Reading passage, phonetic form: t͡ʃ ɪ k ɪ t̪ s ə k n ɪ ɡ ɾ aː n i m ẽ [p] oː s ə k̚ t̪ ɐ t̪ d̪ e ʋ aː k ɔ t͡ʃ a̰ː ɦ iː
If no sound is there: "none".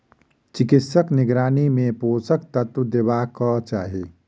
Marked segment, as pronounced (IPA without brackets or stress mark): p